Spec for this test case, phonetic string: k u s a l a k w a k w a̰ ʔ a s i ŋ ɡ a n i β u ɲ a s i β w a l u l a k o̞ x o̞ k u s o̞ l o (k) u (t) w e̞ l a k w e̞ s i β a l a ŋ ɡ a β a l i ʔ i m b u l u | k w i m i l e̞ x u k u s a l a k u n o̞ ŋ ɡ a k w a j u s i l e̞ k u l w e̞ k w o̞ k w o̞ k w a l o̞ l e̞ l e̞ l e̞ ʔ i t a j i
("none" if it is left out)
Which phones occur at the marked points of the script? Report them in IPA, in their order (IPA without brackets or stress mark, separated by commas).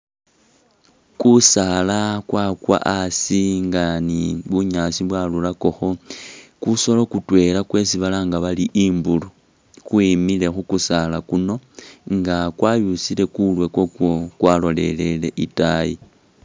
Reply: k, t